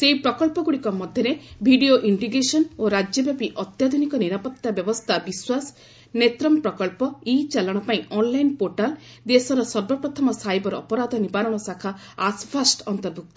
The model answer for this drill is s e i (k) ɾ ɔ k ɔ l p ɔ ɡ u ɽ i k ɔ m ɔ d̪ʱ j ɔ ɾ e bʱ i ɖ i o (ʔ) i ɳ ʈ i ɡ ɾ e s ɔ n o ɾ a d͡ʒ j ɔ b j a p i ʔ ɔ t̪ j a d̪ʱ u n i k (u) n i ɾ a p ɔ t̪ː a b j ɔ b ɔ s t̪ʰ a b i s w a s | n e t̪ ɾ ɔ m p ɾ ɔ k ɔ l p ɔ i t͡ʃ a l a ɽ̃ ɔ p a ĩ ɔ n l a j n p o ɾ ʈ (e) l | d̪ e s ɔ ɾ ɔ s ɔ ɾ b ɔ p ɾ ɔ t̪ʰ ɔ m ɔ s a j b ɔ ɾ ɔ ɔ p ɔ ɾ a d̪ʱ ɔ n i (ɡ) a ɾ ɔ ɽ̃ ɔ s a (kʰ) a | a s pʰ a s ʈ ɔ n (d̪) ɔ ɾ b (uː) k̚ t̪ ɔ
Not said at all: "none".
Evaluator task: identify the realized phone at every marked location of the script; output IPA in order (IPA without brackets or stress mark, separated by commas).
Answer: p, ʔ, ɔ, a, b, kʰ, t̪, u